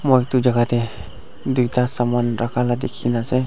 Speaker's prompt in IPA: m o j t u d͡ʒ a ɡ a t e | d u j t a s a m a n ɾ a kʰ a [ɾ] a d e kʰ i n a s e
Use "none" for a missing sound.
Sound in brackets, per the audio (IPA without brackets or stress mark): l